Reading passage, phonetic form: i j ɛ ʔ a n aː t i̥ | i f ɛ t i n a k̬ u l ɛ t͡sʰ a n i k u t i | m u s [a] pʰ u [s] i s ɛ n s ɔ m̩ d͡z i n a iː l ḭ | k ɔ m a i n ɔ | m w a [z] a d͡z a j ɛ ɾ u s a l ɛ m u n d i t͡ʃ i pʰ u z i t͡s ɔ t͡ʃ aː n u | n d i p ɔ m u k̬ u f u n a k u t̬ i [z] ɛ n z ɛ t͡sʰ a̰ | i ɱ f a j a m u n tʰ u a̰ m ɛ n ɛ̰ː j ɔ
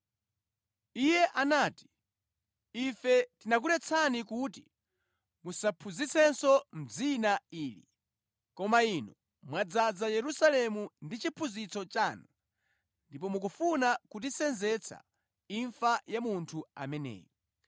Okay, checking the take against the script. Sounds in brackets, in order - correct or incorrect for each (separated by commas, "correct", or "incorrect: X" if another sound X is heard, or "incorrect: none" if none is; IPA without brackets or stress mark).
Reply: correct, incorrect: z, incorrect: d͡z, incorrect: s